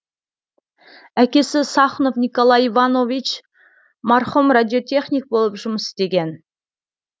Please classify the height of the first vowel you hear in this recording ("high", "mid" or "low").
low